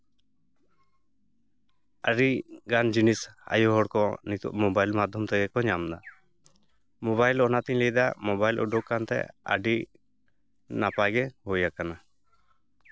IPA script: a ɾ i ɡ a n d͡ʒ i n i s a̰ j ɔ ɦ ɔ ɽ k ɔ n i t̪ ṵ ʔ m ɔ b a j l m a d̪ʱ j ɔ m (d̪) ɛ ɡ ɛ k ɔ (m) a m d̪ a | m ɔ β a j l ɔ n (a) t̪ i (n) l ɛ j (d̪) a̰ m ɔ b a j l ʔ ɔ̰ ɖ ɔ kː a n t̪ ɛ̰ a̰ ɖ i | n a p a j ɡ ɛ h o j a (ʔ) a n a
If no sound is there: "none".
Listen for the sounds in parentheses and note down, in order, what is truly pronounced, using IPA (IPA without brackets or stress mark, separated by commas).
t̪, ɲ, a, ɲ, d̪, k